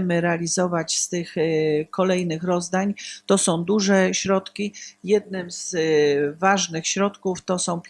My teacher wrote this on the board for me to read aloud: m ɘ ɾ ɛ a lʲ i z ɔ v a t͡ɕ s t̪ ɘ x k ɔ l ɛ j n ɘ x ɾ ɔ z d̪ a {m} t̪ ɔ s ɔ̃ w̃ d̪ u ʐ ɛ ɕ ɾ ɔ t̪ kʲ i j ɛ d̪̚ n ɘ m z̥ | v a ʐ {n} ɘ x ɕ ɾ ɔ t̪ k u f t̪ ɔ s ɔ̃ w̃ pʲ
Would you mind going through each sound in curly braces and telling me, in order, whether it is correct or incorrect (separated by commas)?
incorrect, correct